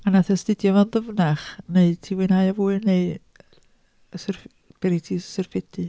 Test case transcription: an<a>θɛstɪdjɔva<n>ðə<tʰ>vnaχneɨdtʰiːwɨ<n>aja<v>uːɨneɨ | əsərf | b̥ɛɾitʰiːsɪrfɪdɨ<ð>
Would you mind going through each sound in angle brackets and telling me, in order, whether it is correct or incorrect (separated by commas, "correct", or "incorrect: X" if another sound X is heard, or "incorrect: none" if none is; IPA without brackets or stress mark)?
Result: correct, correct, incorrect: none, correct, correct, incorrect: none